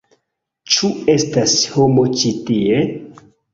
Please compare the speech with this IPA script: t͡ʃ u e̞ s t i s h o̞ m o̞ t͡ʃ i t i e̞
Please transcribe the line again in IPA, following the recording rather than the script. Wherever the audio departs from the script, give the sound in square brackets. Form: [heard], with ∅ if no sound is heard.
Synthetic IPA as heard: t͡ʃ u e̞ s t [a] s h o̞ m o̞ t͡ʃ i t i e̞